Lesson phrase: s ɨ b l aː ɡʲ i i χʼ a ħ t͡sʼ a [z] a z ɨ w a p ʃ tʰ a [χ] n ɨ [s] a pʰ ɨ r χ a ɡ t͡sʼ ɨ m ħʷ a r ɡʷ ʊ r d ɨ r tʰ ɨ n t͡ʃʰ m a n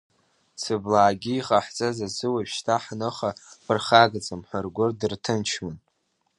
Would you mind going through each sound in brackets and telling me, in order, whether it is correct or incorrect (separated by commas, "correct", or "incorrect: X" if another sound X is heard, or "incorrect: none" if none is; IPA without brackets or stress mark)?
correct, incorrect: ħ, incorrect: χ